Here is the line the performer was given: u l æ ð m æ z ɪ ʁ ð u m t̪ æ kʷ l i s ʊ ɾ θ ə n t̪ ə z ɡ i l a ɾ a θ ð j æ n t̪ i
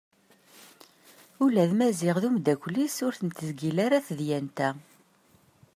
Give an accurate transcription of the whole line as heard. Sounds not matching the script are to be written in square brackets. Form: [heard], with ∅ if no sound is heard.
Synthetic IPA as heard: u l æ ð m æ z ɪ ʁ ð u m [d̪] æ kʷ l i s ʊ ɾ θ ə n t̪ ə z ɡ i l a ɾ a θ ð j æ n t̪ [æ]